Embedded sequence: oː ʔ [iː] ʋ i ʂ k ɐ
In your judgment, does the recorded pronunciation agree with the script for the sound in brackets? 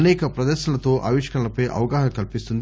no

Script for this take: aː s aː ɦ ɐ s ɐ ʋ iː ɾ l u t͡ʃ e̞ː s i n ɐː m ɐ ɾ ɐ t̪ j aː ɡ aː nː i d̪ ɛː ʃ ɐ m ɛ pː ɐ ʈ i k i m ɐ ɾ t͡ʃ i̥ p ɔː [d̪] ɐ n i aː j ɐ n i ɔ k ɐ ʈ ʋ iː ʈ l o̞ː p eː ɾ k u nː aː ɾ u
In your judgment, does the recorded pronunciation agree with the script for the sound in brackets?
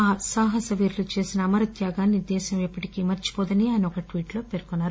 yes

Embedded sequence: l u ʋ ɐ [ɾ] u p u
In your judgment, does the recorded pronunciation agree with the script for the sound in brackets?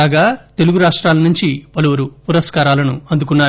yes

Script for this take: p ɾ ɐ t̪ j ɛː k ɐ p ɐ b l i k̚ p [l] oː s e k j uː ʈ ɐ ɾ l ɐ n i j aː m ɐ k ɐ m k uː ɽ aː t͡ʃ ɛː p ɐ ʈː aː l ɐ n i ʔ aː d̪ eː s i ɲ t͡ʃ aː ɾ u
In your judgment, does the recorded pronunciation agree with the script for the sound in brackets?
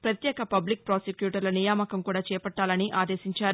no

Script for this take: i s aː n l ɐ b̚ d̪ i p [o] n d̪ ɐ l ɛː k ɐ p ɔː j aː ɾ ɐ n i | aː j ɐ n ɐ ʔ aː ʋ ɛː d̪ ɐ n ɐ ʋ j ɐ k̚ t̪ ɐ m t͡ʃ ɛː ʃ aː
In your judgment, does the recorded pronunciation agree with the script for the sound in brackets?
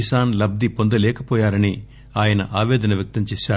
yes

